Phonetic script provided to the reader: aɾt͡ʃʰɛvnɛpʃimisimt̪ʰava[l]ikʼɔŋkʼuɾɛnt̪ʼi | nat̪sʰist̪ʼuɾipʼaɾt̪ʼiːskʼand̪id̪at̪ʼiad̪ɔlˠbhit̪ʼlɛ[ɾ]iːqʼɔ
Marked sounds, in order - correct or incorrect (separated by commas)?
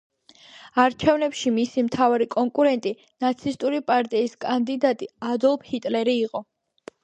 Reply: incorrect, correct